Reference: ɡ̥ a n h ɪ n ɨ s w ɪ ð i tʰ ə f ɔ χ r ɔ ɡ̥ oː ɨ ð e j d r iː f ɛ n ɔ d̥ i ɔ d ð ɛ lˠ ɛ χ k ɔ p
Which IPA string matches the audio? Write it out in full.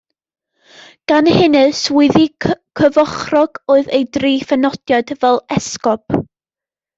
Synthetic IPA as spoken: ɡ̥ a n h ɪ n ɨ s w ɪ ð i kʰ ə v ɔ χ r ɔ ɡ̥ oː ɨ ð e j d r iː f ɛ n ɔ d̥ j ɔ d v ɛ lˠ ɛ s k ɔ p